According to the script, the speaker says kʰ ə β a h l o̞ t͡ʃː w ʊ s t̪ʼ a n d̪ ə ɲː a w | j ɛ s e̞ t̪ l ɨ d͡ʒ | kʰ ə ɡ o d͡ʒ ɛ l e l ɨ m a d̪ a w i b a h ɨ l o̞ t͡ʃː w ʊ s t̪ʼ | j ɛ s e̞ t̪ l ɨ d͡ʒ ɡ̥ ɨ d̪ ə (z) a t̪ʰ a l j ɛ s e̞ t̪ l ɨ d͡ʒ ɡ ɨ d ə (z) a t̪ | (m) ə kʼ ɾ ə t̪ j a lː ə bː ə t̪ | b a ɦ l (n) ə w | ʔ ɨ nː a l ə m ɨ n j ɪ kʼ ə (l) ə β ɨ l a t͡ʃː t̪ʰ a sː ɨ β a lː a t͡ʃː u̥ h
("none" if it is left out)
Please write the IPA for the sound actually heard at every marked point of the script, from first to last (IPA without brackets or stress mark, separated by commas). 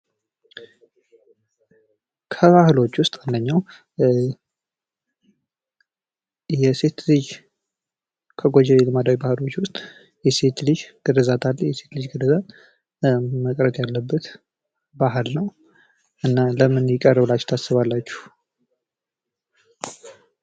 z, z, m, n, r